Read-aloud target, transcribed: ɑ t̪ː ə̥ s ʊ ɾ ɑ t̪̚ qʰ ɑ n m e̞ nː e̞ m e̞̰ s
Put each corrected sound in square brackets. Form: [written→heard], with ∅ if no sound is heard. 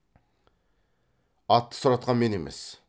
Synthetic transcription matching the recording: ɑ t̪ː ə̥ s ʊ ɾ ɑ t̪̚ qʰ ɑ n m e̞ [nː→n] e̞ m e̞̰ s